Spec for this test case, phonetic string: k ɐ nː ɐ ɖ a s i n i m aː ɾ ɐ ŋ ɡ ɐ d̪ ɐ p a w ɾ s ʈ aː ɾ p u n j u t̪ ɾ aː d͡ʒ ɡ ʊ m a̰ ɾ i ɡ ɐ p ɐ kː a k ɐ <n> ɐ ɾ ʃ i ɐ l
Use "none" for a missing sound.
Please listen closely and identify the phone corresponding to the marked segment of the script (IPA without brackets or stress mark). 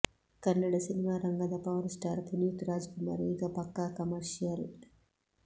m